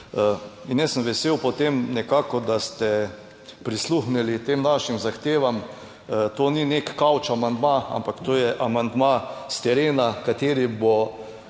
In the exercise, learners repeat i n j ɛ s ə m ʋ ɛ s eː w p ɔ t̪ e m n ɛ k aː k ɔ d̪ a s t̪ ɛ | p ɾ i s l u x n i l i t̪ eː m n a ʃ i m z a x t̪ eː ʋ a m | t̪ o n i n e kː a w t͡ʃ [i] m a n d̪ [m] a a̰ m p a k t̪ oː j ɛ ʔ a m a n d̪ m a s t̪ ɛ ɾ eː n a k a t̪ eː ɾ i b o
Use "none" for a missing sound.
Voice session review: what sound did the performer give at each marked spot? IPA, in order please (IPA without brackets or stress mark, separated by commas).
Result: a, m